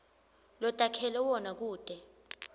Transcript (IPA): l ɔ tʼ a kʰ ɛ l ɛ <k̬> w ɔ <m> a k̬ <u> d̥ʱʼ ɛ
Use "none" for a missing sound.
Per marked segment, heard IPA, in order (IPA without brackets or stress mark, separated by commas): none, n, uː